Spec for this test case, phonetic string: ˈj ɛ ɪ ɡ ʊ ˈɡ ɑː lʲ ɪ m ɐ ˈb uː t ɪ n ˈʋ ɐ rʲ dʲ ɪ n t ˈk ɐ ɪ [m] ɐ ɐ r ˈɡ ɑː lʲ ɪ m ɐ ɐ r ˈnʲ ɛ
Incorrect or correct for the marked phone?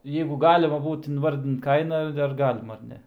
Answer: incorrect: n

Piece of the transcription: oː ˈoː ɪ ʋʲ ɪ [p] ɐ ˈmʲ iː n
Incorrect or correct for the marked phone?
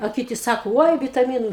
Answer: incorrect: t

